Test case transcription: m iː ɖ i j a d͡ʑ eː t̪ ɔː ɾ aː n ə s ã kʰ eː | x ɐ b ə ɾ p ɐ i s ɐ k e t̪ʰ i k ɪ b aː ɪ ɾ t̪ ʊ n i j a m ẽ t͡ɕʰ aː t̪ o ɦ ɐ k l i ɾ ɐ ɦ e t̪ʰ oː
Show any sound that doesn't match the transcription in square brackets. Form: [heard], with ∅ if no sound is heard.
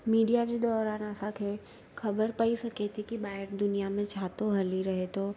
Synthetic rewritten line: m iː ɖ i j a d͡ʑ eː [d̪] ɔː ɾ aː n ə s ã kʰ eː | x ɐ b ə ɾ p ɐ i s ɐ k e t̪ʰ i k [i] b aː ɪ ɾ [d̪] ʊ n i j a m ẽ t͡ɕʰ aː t̪ o ɦ ɐ [∅] l i ɾ ɐ ɦ e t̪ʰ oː